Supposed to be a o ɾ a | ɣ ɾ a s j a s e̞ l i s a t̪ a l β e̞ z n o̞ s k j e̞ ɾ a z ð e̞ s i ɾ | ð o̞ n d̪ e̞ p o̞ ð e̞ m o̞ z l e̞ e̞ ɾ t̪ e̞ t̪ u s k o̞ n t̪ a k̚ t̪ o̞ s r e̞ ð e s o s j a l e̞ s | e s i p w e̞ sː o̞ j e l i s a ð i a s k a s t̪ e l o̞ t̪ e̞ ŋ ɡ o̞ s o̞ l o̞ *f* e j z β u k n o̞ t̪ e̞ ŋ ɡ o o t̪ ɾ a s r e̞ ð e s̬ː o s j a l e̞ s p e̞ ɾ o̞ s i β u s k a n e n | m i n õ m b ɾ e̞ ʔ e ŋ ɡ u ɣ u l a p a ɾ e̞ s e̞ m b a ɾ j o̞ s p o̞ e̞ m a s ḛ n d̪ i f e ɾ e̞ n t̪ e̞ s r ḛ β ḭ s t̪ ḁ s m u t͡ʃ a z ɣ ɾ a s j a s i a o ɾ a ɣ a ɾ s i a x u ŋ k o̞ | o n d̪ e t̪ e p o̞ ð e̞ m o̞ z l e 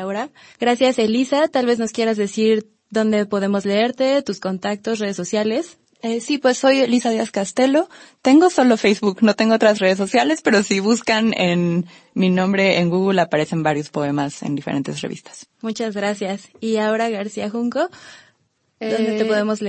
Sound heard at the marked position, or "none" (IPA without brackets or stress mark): f